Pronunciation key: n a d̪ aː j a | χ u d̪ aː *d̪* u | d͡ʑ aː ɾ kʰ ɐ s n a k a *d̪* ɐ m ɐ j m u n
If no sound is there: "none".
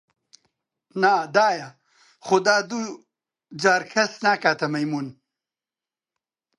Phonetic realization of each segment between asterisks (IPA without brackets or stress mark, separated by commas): d̪, t̪